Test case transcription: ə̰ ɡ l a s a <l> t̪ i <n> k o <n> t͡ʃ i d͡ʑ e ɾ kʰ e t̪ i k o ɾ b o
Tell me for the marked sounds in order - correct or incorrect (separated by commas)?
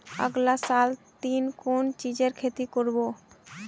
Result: correct, correct, correct